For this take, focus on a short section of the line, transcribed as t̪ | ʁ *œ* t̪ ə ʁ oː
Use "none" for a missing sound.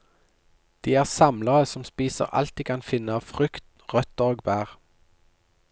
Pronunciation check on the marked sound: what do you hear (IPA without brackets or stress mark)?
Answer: œ